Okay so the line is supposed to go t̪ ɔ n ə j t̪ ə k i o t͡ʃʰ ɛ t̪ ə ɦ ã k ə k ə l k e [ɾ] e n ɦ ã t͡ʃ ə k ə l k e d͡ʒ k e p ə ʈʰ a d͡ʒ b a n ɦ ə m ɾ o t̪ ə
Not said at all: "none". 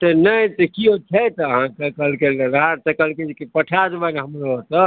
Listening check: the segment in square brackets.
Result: l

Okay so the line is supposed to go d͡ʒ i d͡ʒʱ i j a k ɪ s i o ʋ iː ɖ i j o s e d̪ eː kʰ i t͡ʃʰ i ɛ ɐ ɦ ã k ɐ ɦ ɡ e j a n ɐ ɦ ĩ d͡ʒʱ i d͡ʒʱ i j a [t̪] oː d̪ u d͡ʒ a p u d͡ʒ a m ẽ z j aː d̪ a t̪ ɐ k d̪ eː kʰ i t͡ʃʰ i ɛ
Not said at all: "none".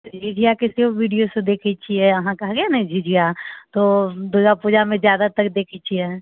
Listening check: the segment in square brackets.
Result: t̪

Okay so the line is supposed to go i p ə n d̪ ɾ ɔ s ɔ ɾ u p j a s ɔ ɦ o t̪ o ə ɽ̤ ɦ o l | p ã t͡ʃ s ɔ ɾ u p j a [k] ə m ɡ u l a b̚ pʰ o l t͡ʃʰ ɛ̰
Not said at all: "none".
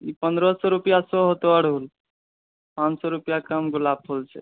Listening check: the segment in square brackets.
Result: k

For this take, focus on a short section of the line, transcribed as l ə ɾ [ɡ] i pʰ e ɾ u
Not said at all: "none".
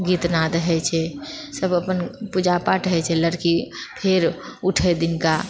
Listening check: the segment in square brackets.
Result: k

